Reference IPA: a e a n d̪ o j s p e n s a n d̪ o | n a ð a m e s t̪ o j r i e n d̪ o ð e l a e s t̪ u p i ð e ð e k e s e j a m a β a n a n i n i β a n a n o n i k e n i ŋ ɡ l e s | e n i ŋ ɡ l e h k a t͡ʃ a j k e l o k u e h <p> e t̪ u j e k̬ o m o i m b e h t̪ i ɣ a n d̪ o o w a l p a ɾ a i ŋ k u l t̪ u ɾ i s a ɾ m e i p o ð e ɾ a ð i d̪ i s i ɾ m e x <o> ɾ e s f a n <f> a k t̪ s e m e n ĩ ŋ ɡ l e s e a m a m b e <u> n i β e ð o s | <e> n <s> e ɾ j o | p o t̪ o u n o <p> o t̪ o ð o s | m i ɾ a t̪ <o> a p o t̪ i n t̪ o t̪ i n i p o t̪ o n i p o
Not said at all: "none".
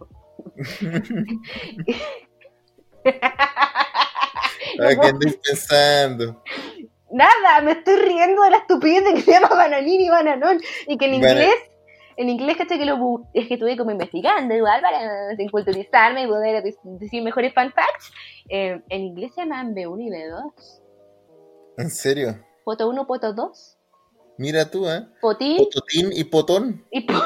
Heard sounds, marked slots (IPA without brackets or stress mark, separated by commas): k, o, f, u, e, s, p, u